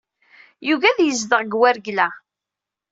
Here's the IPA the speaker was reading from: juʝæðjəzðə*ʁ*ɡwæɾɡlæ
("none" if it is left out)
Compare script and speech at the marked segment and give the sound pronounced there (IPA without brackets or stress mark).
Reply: ʁ